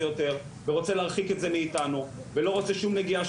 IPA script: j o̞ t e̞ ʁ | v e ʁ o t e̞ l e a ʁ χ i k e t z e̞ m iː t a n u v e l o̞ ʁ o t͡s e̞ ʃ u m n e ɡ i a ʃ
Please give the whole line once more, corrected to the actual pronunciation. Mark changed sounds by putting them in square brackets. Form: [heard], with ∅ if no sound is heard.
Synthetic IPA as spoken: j o̞ t e̞ ʁ | v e ʁ o [t͡s] e̞ l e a ʁ χ i k e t z e̞ m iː t a n u v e l o̞ ʁ o t͡s e̞ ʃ u m n e ɡ i a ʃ

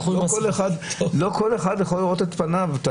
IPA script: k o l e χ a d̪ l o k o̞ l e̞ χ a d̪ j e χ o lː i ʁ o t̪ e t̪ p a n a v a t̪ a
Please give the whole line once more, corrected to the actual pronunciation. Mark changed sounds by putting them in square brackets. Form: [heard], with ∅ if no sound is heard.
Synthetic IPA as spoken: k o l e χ a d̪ l o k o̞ l e̞ χ a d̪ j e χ o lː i ʁ o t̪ e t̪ p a n a v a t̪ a

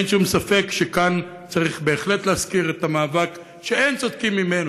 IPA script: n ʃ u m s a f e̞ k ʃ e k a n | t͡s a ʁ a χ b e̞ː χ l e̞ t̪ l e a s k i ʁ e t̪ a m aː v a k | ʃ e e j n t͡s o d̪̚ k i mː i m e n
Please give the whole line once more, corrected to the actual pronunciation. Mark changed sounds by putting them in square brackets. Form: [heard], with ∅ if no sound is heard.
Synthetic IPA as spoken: n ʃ u m s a f e̞ k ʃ e k a n | t͡s a ʁ [i] χ b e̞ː χ l e̞ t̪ l e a s k i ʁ e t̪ a m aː v a k | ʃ e e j n t͡s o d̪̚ k i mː i m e n

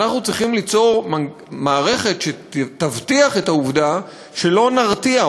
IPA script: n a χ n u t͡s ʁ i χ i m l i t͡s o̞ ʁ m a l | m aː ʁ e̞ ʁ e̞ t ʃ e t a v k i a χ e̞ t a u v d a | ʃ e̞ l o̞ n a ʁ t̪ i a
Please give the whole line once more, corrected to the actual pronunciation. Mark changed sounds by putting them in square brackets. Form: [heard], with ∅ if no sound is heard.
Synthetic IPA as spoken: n a χ n u t͡s ʁ i χ i m l i t͡s o̞ ʁ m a [∅] | m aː ʁ e̞ [χ] e̞ t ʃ e t a v [t] i a χ e̞ t a u v d a | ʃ e̞ l o̞ n a ʁ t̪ i a

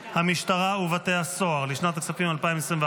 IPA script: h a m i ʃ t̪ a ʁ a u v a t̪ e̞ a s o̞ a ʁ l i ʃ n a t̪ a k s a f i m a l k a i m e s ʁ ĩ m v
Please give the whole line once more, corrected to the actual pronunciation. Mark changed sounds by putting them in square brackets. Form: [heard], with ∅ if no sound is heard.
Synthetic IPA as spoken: h a m i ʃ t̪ a ʁ a u v a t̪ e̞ a s o̞ a ʁ l i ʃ n a t̪ a k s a f i m a l [p] a i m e s ʁ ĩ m v

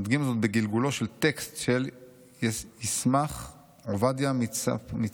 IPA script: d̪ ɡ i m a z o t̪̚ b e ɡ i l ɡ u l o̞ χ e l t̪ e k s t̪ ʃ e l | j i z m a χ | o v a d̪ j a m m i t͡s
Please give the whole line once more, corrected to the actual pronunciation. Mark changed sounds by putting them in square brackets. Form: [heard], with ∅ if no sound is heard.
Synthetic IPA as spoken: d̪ ɡ i m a z o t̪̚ b e ɡ i l ɡ u l o̞ [ʃ] e l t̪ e k s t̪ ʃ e l | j i [s] m a χ | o v a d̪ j a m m i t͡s

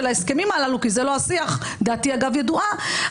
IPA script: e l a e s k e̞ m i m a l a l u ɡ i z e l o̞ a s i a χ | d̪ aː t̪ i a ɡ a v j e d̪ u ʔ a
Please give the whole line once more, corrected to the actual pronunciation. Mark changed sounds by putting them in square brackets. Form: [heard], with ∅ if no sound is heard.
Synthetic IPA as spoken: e l a e s k e̞ m i m a l a l u [k] i z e l o̞ a s i a χ | d̪ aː t̪ i a ɡ a v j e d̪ u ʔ a

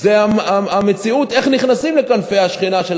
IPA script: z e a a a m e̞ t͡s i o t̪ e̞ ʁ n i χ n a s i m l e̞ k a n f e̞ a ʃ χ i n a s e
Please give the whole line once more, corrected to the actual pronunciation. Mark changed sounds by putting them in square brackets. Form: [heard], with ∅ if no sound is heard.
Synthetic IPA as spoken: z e a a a m e̞ t͡s i [u] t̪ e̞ [χ] n i χ n a s i m l e̞ k a n f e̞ a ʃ χ i n a [ʃ] e

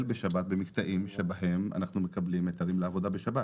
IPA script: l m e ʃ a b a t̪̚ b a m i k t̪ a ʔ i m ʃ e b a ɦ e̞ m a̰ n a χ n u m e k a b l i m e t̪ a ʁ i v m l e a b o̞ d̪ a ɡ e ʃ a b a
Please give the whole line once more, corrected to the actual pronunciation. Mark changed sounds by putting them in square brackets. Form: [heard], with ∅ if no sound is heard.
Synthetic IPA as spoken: l [b] e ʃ a b a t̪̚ b [e] m i k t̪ a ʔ i m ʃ e b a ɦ e̞ m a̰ n a χ n u m e k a b l i m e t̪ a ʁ i [∅] m l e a [v] o̞ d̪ a [b] e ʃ a b a

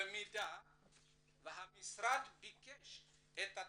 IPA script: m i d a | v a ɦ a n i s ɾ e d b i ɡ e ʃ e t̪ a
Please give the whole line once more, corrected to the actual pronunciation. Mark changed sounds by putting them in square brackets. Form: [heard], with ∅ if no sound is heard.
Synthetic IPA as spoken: m i d a | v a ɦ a [m] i s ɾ [a] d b i [k] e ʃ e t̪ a

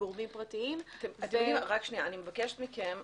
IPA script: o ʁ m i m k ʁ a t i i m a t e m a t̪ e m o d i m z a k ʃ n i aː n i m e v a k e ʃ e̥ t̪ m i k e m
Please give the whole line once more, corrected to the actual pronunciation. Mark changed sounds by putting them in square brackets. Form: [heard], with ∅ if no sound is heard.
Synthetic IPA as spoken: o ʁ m i m [p] ʁ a t i i m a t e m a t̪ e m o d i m [ʁ] a k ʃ n i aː n i m e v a k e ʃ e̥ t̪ m i k e m

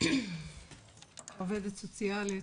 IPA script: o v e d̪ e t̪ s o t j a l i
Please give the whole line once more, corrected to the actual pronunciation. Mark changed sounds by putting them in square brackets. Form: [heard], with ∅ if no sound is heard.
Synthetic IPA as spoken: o v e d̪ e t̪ s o [t͡s] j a l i

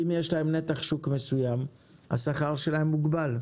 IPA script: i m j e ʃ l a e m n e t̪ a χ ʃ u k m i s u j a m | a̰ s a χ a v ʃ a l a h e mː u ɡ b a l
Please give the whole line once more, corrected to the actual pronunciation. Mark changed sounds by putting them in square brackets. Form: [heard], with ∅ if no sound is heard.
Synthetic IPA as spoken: i m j e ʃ l a e m n e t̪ a χ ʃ u k m [e] s u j a m | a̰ s a χ a [ʁ] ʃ [e] l a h e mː u ɡ b a l

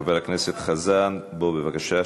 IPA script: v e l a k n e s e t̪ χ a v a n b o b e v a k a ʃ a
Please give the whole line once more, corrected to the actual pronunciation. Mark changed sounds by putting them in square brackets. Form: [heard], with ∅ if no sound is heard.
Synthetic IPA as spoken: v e l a k n e s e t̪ χ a [z] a n b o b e v a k a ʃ a

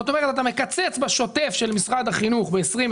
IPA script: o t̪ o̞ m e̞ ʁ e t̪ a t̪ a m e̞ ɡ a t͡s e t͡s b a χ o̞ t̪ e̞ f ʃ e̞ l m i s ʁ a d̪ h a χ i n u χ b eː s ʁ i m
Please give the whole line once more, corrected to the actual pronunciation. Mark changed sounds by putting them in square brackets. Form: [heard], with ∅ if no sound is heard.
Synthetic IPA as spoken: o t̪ o̞ m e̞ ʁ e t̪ a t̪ a m e̞ [k] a t͡s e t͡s b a [ʃ] o̞ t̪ e̞ f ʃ e̞ l m i s ʁ a d̪ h a χ i n u χ b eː s ʁ i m

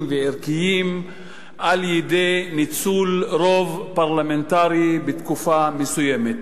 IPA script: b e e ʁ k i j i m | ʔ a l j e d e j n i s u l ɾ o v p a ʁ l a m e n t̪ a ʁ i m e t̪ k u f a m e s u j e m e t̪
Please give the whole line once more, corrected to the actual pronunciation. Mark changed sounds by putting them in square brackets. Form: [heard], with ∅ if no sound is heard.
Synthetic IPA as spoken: [v] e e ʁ k i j i m | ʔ a l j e d e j n i [t͡s] u l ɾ o v p a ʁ l a m e n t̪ a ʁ i [b] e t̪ k u f a m e s u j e m e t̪

